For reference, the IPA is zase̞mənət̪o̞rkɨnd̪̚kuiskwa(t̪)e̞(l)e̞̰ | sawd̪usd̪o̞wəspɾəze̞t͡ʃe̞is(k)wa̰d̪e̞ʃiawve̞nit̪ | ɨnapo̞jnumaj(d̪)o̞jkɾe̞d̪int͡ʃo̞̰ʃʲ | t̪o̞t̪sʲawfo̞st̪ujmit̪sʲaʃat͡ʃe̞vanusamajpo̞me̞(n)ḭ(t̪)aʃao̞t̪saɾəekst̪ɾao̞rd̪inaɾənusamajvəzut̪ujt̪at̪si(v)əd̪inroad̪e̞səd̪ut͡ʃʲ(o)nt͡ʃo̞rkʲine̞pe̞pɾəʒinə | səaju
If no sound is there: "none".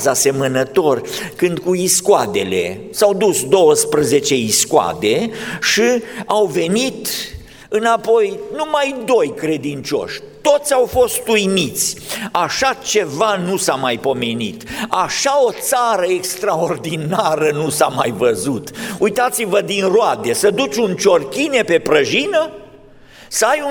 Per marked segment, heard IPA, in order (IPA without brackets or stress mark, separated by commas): d̪, l, k, d̪, n, t̪, v, u